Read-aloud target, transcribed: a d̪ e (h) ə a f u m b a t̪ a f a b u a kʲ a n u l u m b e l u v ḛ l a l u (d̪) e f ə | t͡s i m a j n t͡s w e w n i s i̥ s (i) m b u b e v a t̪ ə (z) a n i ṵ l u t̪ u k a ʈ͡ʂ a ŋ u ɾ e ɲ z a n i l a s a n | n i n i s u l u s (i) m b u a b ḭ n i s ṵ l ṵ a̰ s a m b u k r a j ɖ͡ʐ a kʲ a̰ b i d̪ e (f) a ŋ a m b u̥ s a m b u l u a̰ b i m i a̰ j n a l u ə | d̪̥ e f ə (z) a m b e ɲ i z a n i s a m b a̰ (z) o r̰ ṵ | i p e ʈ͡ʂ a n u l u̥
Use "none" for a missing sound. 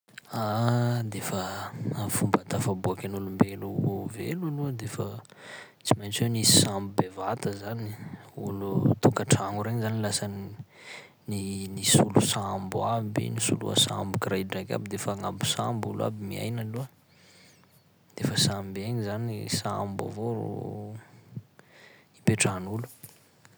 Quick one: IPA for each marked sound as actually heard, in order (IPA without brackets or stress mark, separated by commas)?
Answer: f, d̪, a, z, a, f, s, v